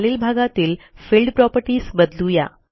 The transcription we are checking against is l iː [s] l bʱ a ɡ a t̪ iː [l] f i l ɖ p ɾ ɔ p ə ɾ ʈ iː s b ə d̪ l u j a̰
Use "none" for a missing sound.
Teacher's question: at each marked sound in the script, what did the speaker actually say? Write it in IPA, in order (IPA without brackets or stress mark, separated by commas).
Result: none, l